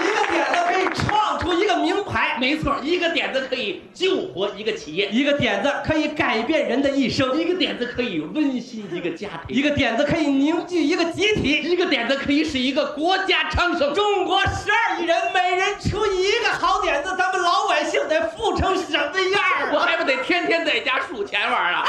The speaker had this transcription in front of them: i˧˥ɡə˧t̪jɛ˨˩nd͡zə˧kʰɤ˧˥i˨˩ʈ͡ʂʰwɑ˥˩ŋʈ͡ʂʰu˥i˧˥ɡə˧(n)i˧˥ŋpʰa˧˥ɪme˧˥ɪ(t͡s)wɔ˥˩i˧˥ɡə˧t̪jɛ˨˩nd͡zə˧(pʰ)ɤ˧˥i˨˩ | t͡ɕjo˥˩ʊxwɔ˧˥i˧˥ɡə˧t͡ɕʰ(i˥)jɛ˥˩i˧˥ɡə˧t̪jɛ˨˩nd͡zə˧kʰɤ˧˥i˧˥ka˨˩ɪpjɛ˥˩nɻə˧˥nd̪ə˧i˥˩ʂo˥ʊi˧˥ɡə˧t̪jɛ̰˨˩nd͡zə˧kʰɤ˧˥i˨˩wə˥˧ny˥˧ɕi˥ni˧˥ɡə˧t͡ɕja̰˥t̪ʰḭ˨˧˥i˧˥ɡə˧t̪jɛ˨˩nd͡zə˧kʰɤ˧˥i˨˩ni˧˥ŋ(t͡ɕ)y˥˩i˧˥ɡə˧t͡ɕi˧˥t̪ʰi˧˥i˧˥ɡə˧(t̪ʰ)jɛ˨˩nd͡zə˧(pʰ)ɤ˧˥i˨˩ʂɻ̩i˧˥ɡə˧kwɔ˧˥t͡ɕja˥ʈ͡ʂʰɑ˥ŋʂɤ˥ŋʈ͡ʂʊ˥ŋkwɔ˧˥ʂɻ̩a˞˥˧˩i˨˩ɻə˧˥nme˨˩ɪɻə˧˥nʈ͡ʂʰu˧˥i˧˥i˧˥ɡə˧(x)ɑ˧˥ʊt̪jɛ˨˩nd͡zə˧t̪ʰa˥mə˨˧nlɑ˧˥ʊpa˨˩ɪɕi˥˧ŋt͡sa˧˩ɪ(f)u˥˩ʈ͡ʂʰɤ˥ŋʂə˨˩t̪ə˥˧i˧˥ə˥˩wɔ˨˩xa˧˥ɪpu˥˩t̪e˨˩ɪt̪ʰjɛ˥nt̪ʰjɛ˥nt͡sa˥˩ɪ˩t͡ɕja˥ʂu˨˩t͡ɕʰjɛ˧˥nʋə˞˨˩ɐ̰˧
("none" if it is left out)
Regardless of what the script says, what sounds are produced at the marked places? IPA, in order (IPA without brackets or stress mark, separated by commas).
m, t͡sʰ, kʰ, i˨˩, t͡ɕ, t̪, kʰ, x, f